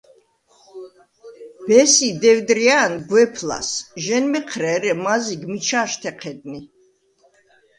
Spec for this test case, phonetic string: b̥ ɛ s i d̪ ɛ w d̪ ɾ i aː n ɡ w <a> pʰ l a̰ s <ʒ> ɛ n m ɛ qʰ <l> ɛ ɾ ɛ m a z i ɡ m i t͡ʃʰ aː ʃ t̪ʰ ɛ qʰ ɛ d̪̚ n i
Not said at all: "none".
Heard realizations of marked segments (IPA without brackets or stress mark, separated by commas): ɛ, ʒ, ɾ